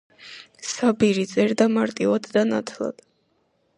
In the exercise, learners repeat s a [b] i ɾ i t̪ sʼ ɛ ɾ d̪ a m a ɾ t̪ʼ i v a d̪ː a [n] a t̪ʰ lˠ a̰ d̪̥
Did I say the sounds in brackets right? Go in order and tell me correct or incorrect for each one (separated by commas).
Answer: correct, correct